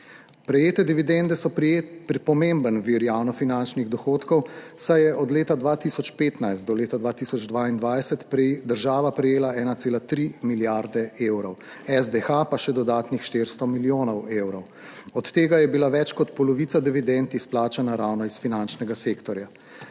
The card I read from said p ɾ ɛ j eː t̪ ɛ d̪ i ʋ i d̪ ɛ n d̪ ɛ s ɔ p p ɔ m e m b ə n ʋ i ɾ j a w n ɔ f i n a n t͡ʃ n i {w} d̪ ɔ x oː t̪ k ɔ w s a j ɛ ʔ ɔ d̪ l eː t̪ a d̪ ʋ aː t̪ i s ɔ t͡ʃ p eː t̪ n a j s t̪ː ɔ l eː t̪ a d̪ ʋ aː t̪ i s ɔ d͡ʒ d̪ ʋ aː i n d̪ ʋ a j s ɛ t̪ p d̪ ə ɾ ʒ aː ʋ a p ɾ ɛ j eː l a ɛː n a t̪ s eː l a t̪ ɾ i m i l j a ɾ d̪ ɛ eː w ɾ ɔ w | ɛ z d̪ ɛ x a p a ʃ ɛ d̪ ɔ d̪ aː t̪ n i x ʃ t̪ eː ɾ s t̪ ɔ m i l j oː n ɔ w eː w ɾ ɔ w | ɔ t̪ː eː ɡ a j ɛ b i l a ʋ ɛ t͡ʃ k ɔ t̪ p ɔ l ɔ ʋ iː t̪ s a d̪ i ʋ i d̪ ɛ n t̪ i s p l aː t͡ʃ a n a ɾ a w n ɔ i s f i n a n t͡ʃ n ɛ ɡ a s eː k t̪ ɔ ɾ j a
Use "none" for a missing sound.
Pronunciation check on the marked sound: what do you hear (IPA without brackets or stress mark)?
ɣ